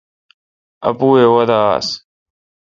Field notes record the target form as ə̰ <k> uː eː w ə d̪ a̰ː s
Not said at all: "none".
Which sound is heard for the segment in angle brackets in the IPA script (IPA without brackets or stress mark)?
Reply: p